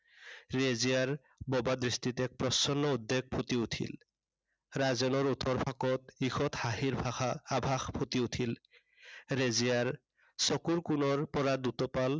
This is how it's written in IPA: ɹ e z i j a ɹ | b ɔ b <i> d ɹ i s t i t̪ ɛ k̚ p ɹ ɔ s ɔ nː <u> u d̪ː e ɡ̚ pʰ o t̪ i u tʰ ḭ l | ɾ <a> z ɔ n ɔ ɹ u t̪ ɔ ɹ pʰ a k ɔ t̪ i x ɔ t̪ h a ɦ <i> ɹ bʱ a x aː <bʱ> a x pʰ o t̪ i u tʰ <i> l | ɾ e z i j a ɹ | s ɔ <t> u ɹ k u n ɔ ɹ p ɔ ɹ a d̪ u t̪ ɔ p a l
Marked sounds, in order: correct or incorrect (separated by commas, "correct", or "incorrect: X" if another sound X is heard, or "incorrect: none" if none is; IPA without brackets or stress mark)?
incorrect: a, incorrect: ɔ, correct, correct, correct, correct, incorrect: k